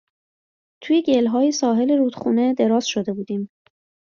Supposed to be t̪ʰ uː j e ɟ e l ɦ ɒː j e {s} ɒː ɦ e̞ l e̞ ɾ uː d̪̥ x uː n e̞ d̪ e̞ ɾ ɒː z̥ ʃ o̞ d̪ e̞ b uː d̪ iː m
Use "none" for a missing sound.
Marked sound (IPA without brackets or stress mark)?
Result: s